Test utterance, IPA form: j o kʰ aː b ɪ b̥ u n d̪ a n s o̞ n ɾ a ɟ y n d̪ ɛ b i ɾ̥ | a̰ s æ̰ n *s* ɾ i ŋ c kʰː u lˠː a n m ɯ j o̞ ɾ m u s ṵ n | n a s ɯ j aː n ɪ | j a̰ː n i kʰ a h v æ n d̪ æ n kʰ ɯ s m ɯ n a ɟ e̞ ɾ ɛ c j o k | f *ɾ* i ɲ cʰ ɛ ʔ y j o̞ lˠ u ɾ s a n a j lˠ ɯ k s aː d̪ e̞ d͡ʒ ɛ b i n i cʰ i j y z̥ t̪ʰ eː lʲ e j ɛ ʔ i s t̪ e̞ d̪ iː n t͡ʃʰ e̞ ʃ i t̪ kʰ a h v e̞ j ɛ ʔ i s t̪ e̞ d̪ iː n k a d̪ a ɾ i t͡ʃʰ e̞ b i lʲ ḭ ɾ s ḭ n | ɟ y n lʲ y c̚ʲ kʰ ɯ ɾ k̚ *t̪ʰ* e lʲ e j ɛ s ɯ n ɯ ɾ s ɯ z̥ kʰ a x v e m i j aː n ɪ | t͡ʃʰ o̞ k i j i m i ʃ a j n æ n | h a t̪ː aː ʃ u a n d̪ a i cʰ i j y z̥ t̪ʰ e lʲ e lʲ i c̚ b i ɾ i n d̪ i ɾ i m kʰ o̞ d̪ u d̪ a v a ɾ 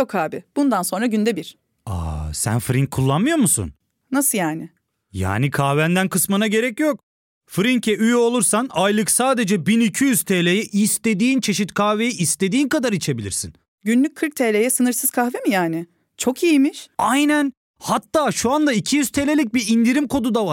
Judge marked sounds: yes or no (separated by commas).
no, yes, yes